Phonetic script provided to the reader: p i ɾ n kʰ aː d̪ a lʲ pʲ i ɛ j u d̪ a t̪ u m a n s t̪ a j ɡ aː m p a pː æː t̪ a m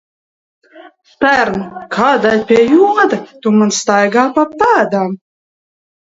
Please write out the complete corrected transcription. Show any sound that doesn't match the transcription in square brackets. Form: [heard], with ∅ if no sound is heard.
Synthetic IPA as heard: p [æ] ɾ n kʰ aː d̪ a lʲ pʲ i ɛ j u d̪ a t̪ u m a n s t̪ a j ɡ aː [∅] p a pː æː [d̪] a m